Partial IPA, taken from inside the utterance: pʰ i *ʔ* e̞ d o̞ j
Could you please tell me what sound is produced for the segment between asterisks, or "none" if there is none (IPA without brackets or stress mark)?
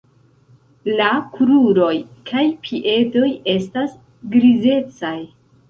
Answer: ʔ